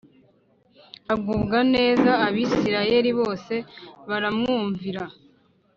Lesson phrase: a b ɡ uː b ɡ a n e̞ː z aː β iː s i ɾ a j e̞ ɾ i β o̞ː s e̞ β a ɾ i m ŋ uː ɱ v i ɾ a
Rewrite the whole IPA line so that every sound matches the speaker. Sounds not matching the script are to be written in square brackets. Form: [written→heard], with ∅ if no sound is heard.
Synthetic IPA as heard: a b ɡ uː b ɡ a n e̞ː z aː β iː s i ɾ a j e̞ ɾ i β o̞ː s e̞ β a ɾ [i→a] m ŋ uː ɱ v i ɾ a

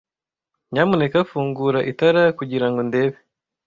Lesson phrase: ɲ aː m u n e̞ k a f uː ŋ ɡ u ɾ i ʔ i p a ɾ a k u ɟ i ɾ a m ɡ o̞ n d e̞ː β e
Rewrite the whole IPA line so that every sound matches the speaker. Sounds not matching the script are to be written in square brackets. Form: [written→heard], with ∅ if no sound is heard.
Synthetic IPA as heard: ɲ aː m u n e̞ k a f uː ŋ ɡ u ɾ [i→a] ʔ i [p→t] a ɾ a k u ɟ i ɾ a [m→ŋ] ɡ o̞ n d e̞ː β e

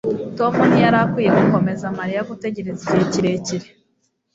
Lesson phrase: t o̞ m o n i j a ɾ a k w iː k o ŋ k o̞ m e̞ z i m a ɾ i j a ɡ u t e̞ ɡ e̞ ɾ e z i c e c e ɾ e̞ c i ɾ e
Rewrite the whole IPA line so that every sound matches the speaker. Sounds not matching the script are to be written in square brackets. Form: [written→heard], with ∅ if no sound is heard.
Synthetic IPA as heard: t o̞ m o n i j a ɾ a k w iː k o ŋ k o̞ m e̞ z [i→a] m a ɾ i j a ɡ u t e̞ [ɡ→ɟ] e̞ ɾ e z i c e c [e→i] ɾ e̞ c i ɾ e

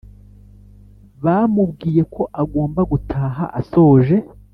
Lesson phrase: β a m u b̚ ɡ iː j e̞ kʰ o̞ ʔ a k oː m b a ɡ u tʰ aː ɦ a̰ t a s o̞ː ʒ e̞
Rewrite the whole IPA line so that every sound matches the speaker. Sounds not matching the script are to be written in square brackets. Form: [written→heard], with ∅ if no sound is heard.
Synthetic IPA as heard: β a m u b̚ ɡ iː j e̞ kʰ o̞ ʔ a [k→ɡ] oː m b a ɡ u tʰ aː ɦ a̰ [t→ʔ] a s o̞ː ʒ e̞

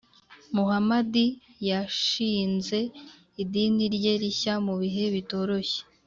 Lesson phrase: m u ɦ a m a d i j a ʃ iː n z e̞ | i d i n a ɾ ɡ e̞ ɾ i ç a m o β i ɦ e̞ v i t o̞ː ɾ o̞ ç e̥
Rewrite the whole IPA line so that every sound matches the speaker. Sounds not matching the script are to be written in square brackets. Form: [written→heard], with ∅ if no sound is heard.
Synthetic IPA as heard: m u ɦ a m a d i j a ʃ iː n z e̞ | i d i n [a→i] ɾ [ɡ→ɟ] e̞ ɾ i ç a m [o→u] β i ɦ e̞ [v→β] i t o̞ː ɾ o̞ ç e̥

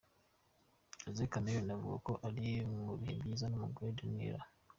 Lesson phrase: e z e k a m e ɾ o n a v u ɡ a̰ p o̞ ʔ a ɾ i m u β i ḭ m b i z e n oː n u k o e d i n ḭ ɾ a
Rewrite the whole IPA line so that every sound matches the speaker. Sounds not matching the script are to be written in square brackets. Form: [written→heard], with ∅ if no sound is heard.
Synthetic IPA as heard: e z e k a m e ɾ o n a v u ɡ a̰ [p→k] o̞ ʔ a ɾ i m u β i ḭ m b i z [e→a] n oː [n→m] u [k→ɡ] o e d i n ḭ ɾ a

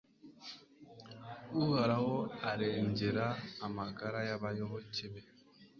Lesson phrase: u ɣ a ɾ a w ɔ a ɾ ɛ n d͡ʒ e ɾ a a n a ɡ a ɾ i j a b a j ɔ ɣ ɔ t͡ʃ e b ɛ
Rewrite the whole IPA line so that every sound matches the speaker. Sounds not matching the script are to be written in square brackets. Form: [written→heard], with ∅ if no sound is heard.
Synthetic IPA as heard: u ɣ a ɾ a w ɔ a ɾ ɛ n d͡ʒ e ɾ a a [n→m] a ɡ a ɾ [i→a] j a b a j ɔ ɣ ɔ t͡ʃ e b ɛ

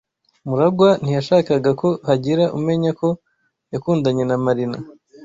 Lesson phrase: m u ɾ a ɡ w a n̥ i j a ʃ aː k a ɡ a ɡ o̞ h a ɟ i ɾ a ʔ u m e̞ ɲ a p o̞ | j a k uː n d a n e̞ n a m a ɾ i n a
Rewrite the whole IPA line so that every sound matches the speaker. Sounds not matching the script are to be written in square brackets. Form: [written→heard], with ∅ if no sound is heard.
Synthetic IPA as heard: m u ɾ a ɡ w a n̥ i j a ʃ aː k a ɡ a [ɡ→k] o̞ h a ɟ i ɾ a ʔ u m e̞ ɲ a [p→k] o̞ | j a k uː n d a [n→ɲ] e̞ n a m a ɾ i n a

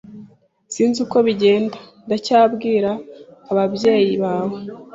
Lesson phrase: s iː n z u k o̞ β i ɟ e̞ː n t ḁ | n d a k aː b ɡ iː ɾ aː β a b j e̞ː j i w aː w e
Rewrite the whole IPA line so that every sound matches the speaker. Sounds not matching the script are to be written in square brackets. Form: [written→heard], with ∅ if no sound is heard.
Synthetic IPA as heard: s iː n z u k o̞ β i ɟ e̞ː n [t→d] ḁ | n d a [k→c] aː b ɡ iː ɾ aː β a b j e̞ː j i [w→β] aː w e

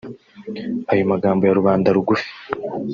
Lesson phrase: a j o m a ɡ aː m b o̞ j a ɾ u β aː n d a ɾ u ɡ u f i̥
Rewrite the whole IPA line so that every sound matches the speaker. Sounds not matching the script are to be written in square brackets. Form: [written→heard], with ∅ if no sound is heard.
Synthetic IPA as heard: a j o m a ɡ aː m b o̞ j a ɾ u β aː n d a ɾ u ɡ u f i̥

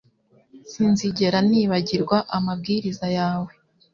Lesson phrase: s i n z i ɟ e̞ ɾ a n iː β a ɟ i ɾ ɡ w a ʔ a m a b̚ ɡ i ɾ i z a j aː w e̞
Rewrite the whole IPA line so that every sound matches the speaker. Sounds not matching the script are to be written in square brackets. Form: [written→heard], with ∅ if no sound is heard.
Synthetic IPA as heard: s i n z i ɟ e̞ ɾ a n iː β a ɟ i ɾ ɡ w a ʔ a m a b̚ ɡ i ɾ i z a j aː w e̞

